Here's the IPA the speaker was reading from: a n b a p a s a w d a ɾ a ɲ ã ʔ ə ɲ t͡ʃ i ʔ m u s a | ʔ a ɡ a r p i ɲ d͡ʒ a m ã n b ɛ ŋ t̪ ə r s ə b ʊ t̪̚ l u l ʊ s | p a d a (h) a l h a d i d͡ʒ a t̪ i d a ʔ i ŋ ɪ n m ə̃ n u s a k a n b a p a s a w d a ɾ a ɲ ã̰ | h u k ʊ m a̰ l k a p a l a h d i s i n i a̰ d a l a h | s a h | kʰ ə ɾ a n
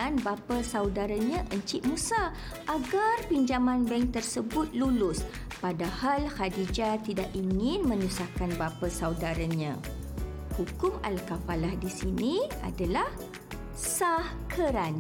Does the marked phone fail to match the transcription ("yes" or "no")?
no